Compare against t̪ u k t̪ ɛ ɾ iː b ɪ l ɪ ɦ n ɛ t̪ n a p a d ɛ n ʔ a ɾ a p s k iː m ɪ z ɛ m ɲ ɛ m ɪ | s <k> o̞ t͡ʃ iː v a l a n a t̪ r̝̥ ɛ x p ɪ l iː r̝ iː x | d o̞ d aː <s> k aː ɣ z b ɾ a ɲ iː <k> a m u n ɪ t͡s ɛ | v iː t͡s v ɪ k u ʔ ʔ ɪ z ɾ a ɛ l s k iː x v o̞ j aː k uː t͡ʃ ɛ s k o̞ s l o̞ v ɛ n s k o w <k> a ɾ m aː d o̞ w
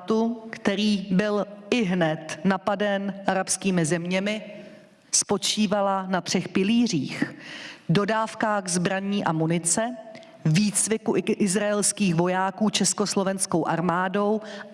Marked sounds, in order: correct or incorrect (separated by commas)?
incorrect, incorrect, incorrect, incorrect